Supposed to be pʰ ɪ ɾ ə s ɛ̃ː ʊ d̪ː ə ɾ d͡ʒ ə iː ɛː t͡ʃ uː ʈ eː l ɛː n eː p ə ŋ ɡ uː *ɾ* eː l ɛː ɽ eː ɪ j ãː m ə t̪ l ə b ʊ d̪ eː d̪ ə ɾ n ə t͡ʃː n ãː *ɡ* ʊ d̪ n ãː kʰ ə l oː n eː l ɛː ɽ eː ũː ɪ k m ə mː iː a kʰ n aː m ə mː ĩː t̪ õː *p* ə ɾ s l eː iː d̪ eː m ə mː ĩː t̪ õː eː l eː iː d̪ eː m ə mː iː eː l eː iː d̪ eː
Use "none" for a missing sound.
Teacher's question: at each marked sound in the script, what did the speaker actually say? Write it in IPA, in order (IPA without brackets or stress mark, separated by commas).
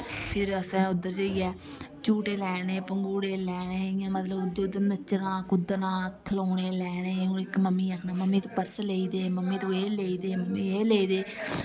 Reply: ɽ, k, p